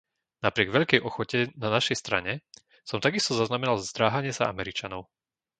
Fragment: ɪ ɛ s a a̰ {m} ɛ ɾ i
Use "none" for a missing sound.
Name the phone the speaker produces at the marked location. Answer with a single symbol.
m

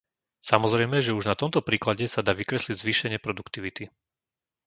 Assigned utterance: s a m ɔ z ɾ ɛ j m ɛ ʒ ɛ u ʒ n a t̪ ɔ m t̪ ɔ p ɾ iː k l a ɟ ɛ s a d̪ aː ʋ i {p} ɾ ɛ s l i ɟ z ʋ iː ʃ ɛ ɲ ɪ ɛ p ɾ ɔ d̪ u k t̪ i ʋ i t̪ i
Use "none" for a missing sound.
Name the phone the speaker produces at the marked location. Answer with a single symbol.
k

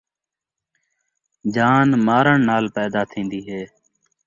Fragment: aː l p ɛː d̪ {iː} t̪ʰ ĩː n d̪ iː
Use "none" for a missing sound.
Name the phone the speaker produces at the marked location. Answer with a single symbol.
aː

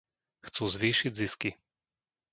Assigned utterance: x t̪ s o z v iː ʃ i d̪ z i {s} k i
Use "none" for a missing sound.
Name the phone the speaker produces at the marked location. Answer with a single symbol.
s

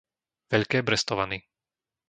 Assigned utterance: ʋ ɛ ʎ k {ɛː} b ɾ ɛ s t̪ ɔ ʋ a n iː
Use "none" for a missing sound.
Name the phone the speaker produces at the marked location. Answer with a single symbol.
ɛː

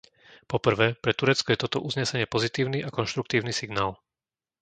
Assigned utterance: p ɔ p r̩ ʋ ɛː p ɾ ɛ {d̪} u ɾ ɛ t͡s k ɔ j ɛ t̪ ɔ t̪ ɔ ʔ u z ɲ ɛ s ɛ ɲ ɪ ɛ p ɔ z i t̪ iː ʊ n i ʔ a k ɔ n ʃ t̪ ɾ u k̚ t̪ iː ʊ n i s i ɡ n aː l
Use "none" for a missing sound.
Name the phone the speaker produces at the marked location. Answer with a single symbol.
t̪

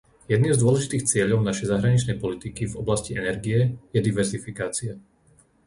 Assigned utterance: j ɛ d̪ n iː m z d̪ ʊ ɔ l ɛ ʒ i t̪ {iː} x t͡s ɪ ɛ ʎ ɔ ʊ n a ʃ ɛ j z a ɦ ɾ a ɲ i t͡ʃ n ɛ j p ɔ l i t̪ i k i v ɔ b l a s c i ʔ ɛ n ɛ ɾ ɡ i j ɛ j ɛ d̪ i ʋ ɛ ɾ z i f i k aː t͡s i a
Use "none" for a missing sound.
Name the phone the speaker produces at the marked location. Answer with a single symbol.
iː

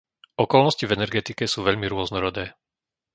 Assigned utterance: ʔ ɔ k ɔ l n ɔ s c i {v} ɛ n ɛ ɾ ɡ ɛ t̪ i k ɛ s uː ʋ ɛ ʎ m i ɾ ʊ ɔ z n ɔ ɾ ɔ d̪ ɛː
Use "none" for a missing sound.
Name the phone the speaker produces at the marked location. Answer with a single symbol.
v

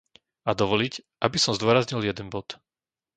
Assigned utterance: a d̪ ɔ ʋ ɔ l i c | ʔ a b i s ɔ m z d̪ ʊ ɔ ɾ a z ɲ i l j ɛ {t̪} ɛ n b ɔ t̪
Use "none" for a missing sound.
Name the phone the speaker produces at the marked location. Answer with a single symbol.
d̪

